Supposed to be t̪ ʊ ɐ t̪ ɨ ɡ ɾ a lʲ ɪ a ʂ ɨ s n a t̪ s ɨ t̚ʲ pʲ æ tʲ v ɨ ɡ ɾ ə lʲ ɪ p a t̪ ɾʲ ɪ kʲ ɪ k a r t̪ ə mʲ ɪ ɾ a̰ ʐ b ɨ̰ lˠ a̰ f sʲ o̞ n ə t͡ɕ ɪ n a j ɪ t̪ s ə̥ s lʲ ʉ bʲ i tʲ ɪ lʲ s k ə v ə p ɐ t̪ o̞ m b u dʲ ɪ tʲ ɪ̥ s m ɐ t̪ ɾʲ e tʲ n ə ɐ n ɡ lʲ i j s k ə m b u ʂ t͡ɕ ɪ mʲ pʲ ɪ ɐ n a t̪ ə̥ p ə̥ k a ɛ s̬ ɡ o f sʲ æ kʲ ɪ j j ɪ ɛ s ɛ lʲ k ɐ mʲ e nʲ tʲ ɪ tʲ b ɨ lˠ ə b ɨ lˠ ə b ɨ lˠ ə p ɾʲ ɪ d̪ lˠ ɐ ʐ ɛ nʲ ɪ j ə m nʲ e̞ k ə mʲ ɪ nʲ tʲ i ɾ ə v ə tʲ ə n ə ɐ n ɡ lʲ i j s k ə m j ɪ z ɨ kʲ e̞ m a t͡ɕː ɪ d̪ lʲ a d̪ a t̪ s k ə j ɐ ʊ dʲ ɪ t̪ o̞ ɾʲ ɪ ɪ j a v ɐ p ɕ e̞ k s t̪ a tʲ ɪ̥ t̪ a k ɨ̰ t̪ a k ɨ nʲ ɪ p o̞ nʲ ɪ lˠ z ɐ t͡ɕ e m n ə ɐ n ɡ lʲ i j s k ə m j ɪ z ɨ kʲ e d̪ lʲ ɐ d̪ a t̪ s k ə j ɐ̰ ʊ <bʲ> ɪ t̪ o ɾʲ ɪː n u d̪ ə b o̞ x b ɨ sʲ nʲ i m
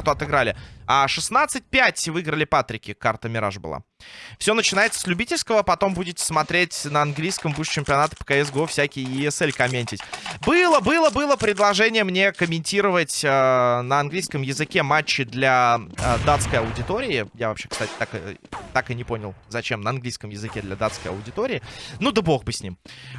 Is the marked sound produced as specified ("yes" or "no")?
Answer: no